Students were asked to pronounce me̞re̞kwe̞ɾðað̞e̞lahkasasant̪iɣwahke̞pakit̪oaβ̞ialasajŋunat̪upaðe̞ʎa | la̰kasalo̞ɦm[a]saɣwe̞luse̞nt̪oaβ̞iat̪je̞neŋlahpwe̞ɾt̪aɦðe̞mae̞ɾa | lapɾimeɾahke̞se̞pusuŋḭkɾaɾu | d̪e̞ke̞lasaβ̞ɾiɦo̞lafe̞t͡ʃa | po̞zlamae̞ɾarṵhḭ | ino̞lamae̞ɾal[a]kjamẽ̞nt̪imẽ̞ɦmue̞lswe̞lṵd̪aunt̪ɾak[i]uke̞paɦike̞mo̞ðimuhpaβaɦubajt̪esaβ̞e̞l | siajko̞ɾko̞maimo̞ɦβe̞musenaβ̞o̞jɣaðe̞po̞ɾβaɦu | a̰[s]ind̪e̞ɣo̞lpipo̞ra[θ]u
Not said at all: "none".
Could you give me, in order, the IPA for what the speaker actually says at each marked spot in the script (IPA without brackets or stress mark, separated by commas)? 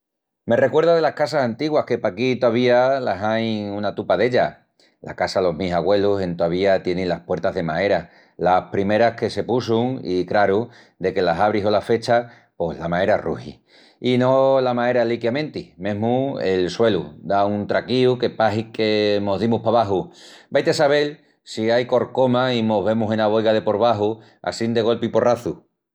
i, i, i, s, θ